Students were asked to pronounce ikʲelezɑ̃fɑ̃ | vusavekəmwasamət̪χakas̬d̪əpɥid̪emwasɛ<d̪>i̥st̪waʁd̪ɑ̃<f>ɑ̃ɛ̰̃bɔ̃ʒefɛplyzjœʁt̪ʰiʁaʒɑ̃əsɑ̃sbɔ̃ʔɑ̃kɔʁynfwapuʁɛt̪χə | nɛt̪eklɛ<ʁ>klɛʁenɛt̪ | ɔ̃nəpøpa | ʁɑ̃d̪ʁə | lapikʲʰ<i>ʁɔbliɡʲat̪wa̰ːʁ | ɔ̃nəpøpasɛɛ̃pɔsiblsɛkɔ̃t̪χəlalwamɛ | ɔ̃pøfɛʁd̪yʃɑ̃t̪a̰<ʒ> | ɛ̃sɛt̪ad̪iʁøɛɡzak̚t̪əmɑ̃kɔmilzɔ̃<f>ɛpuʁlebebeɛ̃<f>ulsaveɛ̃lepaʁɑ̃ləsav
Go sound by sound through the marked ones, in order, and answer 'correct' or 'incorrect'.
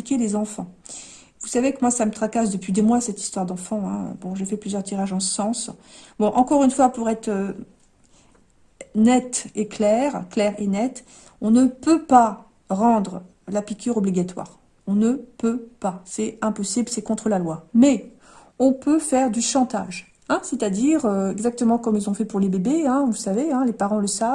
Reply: incorrect: t̪, correct, correct, incorrect: y, correct, correct, incorrect: v

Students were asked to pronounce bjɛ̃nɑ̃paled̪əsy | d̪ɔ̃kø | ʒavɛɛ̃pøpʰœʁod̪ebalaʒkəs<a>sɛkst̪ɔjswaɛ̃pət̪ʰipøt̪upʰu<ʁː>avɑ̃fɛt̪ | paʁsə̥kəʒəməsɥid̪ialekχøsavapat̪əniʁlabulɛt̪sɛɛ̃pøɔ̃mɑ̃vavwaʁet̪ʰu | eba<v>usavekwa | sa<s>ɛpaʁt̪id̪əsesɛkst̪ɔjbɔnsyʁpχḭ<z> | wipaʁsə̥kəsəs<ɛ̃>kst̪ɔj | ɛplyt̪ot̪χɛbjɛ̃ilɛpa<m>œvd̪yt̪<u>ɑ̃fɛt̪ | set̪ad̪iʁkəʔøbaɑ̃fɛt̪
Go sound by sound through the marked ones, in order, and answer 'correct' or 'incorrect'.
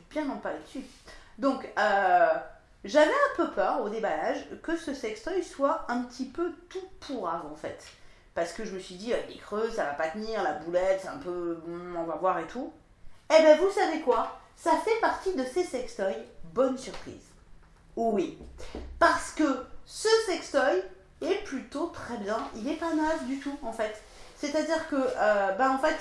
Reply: incorrect: ə, incorrect: ʁ, correct, incorrect: f, correct, incorrect: ɛ, incorrect: n, correct

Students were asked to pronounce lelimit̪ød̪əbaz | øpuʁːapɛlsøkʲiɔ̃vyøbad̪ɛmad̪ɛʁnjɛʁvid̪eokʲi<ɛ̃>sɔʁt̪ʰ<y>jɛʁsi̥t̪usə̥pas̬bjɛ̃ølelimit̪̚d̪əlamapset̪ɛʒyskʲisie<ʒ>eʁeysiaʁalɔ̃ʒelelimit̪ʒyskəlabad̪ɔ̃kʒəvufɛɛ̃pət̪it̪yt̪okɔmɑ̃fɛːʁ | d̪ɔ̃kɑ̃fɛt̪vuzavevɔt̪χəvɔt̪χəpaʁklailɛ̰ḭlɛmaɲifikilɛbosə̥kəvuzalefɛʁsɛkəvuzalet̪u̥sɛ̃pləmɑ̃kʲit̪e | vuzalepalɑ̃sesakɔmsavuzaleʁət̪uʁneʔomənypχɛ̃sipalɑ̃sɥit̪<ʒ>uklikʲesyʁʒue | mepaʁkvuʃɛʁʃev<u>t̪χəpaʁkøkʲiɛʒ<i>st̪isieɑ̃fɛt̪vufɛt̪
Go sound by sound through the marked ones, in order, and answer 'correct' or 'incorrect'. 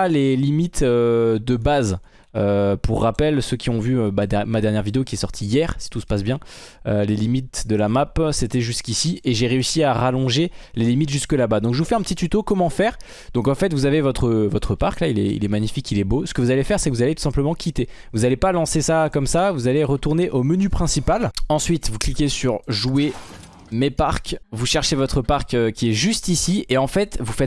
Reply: incorrect: ɛ, incorrect: i, correct, incorrect: v, incorrect: ɔ, incorrect: y

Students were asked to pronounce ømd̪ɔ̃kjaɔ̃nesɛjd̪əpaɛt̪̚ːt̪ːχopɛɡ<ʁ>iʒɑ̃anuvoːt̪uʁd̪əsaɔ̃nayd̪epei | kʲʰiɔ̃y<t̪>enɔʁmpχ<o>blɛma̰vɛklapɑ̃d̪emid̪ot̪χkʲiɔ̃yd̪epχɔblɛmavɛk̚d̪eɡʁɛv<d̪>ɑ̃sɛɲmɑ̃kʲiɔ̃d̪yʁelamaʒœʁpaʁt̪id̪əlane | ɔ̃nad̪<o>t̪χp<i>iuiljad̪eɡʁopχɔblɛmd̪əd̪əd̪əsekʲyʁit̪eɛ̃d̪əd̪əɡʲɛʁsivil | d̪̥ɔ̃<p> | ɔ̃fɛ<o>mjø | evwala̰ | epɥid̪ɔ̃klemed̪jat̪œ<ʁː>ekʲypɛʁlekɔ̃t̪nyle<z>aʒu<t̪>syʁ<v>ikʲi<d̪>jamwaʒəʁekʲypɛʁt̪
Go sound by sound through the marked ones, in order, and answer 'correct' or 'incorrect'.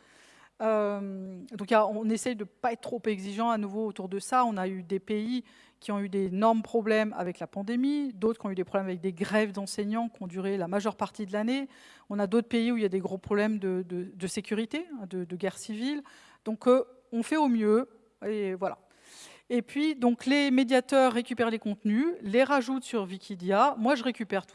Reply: incorrect: z, incorrect: d̪, incorrect: ɔ, correct, correct, incorrect: e, incorrect: k, correct, correct, incorrect: ʁ, correct, correct, correct

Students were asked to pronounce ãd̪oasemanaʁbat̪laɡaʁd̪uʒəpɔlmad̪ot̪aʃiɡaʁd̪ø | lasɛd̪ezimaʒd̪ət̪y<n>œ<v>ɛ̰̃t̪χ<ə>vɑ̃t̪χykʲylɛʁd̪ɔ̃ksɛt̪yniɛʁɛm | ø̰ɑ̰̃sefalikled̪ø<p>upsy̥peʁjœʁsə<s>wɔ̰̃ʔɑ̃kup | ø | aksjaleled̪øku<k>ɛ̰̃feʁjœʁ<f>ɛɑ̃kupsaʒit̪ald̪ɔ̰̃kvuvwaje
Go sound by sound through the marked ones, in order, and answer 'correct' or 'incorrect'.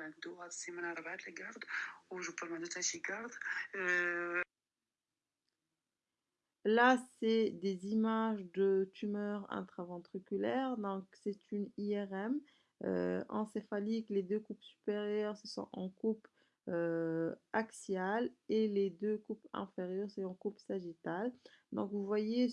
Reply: incorrect: m, incorrect: ʁ, incorrect: a, incorrect: k, correct, incorrect: p, incorrect: s

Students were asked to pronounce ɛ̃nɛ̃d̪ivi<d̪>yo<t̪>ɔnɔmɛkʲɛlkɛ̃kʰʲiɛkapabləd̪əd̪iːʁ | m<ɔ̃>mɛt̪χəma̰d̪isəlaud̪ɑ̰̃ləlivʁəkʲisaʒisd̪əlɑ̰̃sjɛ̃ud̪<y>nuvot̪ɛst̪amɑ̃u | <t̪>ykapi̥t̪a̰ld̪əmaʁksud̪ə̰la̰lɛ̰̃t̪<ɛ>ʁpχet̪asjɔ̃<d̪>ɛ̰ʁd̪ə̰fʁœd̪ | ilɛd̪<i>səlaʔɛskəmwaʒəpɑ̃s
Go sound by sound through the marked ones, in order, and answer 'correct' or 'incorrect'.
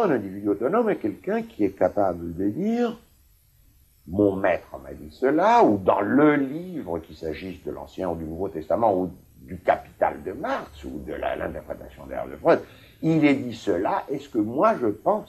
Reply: correct, correct, correct, correct, incorrect: d̪, correct, correct, correct

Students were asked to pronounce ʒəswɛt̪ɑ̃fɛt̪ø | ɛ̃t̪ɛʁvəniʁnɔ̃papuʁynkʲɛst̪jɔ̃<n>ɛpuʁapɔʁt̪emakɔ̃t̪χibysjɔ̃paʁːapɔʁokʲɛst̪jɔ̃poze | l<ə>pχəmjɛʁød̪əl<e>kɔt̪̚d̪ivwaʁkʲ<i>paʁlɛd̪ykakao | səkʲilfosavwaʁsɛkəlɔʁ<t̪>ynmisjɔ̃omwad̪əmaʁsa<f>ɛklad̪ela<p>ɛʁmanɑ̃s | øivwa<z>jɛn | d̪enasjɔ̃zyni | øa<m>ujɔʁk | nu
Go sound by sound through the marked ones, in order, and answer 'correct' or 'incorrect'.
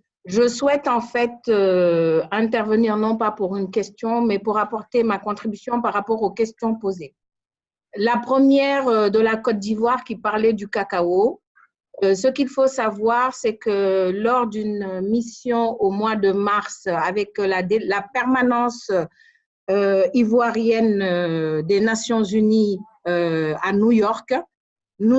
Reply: incorrect: m, incorrect: a, incorrect: a, correct, incorrect: d̪, incorrect: v, correct, incorrect: ʁ, incorrect: n

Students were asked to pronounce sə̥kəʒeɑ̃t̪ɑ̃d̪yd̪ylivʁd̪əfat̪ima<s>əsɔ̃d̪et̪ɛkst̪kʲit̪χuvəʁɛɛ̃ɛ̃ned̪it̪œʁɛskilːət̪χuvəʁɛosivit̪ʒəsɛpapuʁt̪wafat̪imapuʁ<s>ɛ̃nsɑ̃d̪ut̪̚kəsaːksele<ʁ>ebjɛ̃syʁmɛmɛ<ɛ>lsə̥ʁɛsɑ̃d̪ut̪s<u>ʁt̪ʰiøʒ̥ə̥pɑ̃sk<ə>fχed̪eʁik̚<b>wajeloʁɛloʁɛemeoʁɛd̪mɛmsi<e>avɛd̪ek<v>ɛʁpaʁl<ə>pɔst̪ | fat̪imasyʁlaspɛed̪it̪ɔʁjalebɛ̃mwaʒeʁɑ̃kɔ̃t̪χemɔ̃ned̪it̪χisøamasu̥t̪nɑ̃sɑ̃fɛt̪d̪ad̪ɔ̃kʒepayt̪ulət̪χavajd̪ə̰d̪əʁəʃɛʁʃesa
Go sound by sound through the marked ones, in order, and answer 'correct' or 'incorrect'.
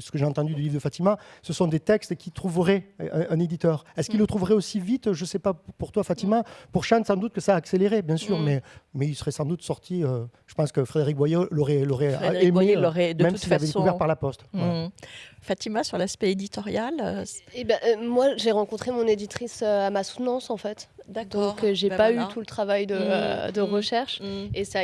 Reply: correct, incorrect: ʃ, correct, incorrect: i, incorrect: ɔ, correct, correct, incorrect: i, correct, incorrect: a

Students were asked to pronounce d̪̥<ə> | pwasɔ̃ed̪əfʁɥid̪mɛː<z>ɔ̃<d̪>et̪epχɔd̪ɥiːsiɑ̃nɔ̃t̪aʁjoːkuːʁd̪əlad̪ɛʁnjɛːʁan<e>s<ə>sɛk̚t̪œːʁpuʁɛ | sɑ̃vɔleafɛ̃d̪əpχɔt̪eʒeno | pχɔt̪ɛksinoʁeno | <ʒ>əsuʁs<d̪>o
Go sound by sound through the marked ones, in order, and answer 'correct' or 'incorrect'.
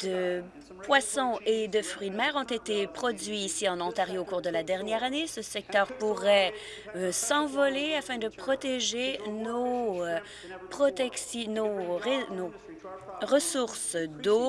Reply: correct, incorrect: ʁ, incorrect: t̪, correct, correct, incorrect: ʁ, correct

